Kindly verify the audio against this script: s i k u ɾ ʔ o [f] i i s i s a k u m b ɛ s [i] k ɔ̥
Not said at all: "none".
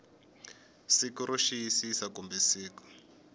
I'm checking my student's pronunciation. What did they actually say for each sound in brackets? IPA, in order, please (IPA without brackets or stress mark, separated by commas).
ʃ, iː